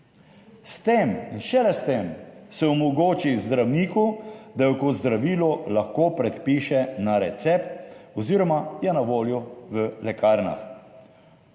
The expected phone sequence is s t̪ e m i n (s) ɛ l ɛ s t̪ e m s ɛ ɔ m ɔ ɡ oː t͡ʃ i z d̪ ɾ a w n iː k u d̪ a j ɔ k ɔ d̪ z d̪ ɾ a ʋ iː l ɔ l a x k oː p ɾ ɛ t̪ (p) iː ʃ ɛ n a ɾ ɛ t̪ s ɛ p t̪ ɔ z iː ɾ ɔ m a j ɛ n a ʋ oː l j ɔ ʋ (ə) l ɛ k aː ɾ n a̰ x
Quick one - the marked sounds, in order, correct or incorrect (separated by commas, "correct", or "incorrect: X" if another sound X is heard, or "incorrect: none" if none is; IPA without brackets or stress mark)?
incorrect: ʃ, correct, correct